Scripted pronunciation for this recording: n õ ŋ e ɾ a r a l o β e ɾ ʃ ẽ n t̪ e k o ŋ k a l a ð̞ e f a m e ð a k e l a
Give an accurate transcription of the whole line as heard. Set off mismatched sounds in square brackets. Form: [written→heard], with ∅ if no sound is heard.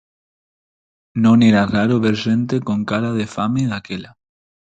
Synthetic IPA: n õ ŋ e ɾ a r a [l→ɾ] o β e ɾ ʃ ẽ n t̪ e k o ŋ k a [l→ɾ] a ð̞ e f a m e ð a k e l a